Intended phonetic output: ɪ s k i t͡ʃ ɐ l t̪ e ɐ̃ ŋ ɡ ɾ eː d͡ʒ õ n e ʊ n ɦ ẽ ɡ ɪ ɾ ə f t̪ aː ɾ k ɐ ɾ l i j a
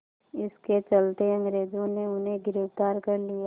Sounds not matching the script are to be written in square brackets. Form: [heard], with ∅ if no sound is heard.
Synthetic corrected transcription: ɪ s k [e] t͡ʃ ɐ l t̪ e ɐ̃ ŋ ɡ ɾ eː d͡ʒ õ n e ʊ n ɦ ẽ ɡ ɪ ɾ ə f t̪ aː ɾ k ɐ ɾ l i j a